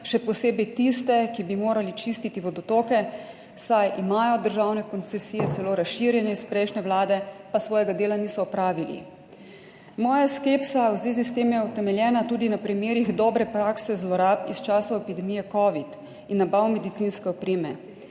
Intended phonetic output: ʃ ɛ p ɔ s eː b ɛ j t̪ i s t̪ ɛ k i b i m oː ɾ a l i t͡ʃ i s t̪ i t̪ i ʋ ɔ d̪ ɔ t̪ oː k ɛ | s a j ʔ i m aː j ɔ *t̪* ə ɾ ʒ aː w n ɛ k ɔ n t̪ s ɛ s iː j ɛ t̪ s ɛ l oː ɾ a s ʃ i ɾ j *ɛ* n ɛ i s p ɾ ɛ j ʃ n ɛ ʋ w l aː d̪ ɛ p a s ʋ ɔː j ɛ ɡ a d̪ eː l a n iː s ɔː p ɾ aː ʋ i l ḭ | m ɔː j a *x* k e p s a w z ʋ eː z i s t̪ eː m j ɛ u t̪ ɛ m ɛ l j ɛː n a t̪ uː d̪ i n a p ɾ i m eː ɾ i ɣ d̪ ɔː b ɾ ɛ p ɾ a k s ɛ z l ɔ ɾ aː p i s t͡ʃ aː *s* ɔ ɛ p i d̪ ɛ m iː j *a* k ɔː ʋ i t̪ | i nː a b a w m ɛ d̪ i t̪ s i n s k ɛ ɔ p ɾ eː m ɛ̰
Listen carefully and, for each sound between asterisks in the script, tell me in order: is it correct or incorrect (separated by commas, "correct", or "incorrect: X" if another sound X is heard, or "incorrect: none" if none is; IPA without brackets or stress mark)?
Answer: incorrect: d̪, correct, incorrect: s, correct, incorrect: ɛ